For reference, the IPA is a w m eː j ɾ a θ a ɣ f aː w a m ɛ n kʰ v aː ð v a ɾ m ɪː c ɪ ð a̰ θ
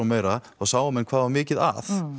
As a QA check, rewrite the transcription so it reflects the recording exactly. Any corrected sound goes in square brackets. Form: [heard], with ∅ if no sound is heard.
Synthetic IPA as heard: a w m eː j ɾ a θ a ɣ [s] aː w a m ɛ n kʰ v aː ð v a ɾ m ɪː c ɪ ð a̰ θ